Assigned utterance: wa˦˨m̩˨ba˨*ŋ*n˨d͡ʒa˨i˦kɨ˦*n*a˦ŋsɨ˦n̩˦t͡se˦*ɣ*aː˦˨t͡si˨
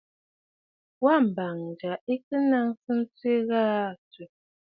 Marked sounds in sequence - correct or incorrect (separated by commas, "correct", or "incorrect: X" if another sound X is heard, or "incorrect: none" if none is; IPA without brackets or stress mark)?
correct, correct, correct